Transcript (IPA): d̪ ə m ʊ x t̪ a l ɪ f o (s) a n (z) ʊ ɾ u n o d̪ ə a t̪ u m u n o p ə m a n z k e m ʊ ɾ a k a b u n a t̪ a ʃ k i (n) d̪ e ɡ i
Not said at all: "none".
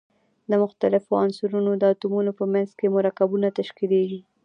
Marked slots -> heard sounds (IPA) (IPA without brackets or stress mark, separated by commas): none, s, none